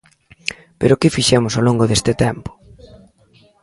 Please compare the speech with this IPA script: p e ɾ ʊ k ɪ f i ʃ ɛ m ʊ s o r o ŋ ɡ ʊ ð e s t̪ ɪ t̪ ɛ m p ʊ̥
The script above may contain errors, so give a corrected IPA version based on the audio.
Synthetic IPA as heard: p e ɾ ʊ k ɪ f i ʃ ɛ m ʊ s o l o ŋ ɡ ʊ ð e s t̪ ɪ t̪ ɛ m p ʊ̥